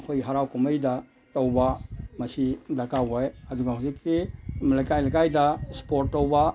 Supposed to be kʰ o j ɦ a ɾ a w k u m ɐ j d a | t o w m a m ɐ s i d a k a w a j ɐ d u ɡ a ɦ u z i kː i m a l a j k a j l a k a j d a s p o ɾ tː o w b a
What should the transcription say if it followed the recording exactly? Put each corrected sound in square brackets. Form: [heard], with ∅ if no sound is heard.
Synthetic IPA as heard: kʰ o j ɦ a ɾ a w k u m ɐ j d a | t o w [b] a m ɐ s i d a k a w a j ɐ d u ɡ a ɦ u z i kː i m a l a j k a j l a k a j d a s p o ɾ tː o w b a